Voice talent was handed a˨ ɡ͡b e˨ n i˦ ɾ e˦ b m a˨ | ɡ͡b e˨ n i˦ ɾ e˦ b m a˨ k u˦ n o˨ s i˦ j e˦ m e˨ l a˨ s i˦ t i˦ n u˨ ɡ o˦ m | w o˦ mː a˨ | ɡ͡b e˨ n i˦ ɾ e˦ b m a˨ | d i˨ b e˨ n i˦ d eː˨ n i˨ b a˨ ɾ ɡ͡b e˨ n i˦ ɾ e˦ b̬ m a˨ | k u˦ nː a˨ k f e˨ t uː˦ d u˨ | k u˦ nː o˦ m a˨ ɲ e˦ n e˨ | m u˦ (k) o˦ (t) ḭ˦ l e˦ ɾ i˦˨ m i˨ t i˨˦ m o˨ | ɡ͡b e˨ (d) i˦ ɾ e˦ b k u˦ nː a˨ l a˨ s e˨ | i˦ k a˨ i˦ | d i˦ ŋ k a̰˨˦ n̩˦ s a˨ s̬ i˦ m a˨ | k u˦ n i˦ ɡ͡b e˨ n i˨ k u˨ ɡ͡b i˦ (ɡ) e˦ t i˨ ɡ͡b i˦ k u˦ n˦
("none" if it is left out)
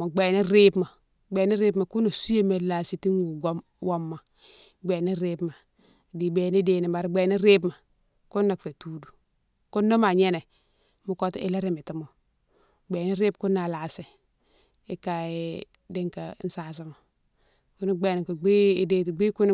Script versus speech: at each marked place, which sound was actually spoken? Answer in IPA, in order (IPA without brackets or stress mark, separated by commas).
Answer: k, t, n, d